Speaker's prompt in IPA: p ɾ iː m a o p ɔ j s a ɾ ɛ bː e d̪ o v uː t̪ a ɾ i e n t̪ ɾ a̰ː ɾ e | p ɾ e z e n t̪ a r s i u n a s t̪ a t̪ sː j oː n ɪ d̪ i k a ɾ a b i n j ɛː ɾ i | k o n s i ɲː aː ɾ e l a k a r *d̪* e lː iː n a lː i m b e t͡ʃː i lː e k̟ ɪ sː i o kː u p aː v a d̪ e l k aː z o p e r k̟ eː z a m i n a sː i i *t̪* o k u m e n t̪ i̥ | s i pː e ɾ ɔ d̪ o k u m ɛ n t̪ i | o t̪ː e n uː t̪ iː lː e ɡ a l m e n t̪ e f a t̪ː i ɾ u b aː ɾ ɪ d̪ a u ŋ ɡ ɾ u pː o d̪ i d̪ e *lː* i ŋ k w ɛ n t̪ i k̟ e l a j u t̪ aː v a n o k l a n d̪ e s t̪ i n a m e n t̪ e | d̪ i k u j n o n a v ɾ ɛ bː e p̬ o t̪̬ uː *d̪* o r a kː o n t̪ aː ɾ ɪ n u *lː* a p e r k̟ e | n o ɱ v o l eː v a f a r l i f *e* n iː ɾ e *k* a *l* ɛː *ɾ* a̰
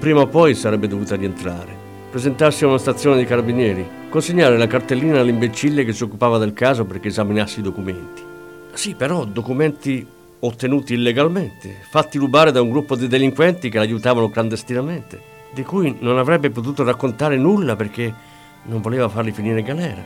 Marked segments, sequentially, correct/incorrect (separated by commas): incorrect, incorrect, incorrect, incorrect, correct, incorrect, incorrect, correct, correct